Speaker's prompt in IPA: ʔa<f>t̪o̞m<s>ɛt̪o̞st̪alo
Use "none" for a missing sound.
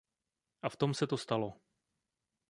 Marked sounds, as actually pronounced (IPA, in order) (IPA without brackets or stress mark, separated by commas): f, s